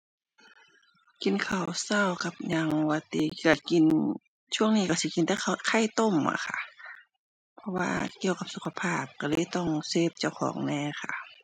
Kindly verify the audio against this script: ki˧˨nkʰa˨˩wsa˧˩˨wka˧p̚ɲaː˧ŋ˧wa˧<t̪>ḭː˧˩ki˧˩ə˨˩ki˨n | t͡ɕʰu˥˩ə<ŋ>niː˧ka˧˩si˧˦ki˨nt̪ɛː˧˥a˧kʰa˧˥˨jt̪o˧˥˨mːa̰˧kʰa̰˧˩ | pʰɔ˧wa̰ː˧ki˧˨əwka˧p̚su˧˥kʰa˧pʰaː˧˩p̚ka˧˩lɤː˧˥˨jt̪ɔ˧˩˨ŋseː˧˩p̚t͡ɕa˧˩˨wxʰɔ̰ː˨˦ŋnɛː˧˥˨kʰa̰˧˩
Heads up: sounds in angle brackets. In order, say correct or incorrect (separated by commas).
correct, correct